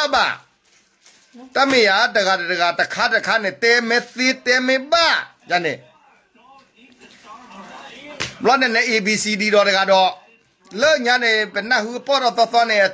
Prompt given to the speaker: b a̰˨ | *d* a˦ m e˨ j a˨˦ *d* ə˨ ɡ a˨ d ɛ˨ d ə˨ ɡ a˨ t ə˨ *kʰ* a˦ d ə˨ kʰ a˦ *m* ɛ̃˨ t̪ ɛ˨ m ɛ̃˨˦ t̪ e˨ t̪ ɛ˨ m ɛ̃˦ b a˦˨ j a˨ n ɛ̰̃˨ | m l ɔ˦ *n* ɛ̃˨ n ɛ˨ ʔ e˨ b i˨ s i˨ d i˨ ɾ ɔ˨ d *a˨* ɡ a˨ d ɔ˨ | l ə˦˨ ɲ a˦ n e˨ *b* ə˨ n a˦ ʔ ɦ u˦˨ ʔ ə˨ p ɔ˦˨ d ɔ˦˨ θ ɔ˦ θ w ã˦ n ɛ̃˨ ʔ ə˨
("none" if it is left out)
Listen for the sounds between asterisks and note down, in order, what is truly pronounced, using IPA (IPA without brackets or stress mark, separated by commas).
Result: t, d, kʰ, n, n, ə˨, b